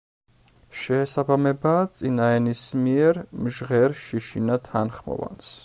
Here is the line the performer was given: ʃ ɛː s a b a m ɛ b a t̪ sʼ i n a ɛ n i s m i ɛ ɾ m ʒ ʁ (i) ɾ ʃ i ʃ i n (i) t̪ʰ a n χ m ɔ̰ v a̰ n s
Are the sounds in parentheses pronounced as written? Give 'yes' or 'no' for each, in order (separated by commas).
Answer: no, no